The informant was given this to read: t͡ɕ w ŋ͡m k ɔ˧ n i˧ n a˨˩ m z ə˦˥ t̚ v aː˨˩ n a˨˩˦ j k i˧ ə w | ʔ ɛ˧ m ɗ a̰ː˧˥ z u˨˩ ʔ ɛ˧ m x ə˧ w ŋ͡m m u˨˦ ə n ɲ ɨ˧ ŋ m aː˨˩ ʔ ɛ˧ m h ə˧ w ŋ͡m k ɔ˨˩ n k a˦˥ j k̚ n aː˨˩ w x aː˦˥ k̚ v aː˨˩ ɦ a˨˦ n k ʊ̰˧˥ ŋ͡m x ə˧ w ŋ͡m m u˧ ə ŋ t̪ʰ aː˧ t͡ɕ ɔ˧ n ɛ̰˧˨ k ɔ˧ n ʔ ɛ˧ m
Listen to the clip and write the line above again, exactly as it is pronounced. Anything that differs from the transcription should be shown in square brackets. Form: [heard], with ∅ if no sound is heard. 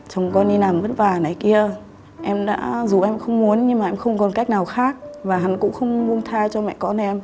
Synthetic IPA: t͡ɕ w ŋ͡m k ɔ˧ n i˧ n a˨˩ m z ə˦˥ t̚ v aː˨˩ n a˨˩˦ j k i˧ ə [∅] | ʔ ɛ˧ m ɗ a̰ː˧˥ z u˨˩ ʔ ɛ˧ m x ə˧ w ŋ͡m m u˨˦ ə n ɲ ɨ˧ ŋ m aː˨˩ ʔ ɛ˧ m [x] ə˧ w ŋ͡m k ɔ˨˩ n k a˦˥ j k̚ n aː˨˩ w x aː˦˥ k̚ v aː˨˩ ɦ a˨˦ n k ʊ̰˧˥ ŋ͡m x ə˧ w ŋ͡m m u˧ ə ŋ t̪ʰ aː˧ t͡ɕ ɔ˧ [m] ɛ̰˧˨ k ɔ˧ n ʔ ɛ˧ m